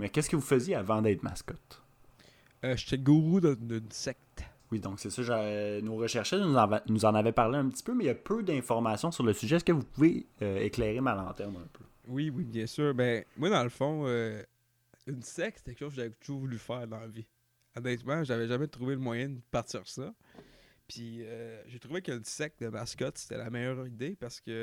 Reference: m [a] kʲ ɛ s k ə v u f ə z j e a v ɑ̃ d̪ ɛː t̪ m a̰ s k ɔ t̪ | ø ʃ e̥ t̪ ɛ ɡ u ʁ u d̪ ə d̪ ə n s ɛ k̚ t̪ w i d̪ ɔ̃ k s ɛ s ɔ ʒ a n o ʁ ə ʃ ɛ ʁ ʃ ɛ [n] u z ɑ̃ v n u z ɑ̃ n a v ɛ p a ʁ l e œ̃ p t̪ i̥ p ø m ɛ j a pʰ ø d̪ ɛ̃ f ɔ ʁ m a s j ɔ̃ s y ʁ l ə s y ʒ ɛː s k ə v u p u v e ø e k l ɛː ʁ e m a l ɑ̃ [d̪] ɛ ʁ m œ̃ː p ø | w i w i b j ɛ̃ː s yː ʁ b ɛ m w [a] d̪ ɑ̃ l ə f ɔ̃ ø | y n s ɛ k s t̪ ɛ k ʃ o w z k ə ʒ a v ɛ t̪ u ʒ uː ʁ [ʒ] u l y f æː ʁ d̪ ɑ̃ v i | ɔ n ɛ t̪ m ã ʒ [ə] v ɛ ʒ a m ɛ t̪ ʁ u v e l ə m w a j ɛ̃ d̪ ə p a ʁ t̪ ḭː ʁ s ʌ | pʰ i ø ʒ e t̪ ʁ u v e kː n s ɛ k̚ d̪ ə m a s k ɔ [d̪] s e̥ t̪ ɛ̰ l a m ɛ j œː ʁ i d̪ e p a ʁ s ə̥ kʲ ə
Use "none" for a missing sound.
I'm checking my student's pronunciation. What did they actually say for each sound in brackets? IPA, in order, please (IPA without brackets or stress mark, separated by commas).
ɛ, n, t̪, a, v, a, t̪